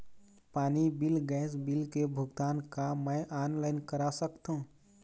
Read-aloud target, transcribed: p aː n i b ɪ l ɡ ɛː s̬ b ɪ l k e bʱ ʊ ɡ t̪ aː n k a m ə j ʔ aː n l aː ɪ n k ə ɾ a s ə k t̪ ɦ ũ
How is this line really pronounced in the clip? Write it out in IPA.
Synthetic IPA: p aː n i b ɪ l ɡ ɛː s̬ b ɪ l k e bʱ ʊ ɡ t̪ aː n k a m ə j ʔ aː n l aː ɪ n k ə ɾ a s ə k t̪ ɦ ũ